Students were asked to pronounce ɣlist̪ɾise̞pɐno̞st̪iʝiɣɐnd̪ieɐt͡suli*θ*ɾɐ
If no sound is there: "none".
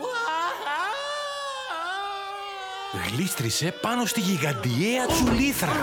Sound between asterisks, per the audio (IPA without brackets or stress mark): θ